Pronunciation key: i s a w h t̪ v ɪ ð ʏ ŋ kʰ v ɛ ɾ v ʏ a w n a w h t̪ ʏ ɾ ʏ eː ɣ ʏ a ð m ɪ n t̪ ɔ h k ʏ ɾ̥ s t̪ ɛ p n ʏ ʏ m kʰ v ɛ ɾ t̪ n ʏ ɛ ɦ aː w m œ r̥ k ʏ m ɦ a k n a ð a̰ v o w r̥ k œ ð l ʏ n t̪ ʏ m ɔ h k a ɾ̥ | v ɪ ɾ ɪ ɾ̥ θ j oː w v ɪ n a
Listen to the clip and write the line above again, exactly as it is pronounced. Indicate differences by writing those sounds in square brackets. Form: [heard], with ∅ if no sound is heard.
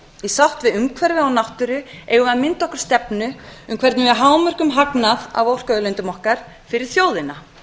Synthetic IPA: i s a w h t̪ v ɪ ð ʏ [m] kʰ v ɛ ɾ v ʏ a w n a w h t̪ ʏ ɾ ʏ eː ɣ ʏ a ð m ɪ n t̪ ɔ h k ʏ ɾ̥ s t̪ ɛ p n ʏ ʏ m kʰ v ɛ ɾ t̪ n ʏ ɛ ɦ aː w m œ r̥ k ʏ m ɦ a k n a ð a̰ v o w r̥ k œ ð l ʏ n t̪ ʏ m ɔ h k a ɾ̥ | [f] ɪ ɾ ɪ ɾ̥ θ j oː w [ð] ɪ n a